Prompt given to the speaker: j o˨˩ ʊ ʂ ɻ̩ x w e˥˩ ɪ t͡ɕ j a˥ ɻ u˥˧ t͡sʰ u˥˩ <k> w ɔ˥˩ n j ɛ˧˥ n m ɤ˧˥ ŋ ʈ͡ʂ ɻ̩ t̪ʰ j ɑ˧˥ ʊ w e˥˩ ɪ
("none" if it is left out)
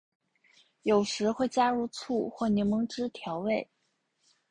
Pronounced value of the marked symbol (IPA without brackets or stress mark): x